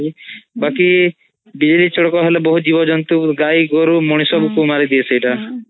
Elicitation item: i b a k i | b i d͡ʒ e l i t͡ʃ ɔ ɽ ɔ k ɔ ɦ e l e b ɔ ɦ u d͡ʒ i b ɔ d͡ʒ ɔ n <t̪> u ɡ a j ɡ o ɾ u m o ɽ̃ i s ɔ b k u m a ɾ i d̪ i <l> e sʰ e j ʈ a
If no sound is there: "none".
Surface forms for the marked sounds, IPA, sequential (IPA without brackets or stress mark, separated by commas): t̪, none